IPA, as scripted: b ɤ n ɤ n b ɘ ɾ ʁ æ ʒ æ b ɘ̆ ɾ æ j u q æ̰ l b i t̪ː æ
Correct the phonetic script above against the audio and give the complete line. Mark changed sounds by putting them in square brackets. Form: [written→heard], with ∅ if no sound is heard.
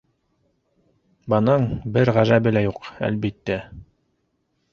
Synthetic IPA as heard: b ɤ n ɤ [n→ɴ] b ɘ ɾ ʁ æ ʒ æ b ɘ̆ [ɾ→l] æ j u q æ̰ l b i t̪ː æ

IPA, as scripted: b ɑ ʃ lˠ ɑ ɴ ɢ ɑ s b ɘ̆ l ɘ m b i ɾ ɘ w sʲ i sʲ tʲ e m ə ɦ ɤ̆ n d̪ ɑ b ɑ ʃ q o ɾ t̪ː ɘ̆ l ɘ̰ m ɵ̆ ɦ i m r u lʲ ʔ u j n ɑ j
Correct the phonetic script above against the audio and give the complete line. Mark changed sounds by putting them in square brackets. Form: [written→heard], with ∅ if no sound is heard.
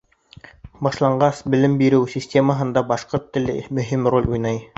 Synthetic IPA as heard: b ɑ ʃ lˠ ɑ ɴ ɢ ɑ s b ɘ̆ l ɘ m b i ɾ ɘ w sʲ i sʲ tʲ e m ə ɦ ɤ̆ n d̪ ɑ b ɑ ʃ q o ɾ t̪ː ɘ̆ l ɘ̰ m ɵ̆ ɦ i m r [u→o] lʲ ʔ u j n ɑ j

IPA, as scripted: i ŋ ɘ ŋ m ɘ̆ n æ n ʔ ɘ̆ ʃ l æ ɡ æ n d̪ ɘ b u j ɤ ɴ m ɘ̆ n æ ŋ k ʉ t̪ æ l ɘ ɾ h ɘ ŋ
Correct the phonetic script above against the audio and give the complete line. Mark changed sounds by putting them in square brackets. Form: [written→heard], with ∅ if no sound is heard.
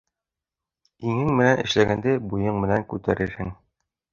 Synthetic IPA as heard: i ŋ ɘ ŋ m ɘ̆ n æ n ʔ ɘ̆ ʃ l æ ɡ æ n d̪ ɘ b u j ɤ ɴ m ɘ̆ n æ ŋ k ʉ t̪ æ [l→ɾ] ɘ ɾ h ɘ ŋ

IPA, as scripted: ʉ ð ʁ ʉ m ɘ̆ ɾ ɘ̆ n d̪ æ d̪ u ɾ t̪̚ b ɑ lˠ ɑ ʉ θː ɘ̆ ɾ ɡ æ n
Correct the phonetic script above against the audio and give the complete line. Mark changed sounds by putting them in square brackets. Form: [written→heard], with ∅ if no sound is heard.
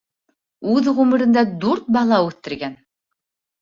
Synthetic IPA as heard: ʉ ð ʁ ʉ m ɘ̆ ɾ ɘ̆ n d̪ æ d̪ u ɾ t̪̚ b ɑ lˠ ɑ ʉ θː ɘ̆ ɾ ɡ æ n

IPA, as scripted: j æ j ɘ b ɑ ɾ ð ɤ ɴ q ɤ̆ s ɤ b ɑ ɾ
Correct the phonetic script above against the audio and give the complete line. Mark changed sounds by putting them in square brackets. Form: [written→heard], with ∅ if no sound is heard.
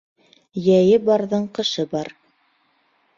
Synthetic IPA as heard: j æ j ɘ b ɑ ɾ ð ɤ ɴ q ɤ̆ [s→ʃ] ɤ b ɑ ɾ

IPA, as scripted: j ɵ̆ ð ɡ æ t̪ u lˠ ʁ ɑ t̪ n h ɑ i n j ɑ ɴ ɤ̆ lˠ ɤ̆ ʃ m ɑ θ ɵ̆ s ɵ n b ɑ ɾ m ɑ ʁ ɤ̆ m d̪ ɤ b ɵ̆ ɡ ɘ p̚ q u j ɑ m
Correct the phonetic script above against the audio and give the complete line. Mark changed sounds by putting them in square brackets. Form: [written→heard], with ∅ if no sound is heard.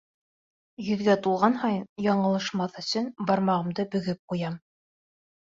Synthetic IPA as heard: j ɵ̆ ð ɡ æ t̪ u lˠ ʁ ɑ [t̪→∅] n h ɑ [i→j] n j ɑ ɴ ɤ̆ lˠ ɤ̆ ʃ m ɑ θ ɵ̆ s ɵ n b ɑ ɾ m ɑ ʁ ɤ̆ m d̪ ɤ b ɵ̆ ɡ ɘ p̚ q u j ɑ m

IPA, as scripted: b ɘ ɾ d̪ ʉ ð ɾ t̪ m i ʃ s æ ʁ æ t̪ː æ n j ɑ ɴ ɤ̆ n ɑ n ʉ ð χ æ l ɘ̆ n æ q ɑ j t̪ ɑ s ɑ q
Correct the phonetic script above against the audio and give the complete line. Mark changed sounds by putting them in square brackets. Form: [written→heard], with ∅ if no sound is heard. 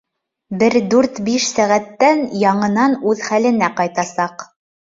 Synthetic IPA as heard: b ɘ ɾ d̪ ʉ [ð→∅] ɾ t̪ [m→b] i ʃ s æ ʁ æ t̪ː æ n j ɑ ɴ ɤ̆ n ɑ n ʉ ð χ æ l ɘ̆ n æ q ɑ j t̪ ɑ s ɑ q

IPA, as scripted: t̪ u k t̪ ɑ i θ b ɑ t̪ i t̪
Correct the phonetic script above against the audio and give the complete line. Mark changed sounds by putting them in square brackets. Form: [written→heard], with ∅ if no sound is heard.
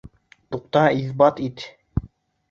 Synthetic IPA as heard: t̪ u [k→q] t̪ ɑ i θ b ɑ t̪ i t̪

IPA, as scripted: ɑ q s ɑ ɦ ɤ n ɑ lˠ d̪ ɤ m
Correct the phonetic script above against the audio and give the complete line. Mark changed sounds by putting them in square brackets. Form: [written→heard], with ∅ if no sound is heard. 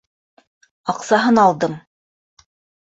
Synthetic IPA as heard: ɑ q s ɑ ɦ ɤ n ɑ lˠ d̪ ɤ m

